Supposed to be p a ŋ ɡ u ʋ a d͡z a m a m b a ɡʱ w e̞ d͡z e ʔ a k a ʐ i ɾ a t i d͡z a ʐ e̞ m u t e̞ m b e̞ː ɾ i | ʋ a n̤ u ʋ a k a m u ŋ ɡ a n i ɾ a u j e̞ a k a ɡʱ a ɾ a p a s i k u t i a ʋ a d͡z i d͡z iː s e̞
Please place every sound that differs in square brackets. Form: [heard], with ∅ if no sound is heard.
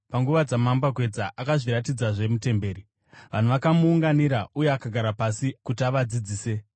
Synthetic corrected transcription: p a ŋ ɡ u ʋ a d͡z a m a m b a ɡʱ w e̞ d͡z [a] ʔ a k a ʐ i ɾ a t i d͡z a ʐ e̞ m u t e̞ m b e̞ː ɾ i | ʋ a n̤ u ʋ a k a m [uː] ŋ ɡ a n i ɾ a u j e̞ a k a ɡʱ a ɾ a p a s i k u t i a ʋ a d͡z i d͡z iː s e̞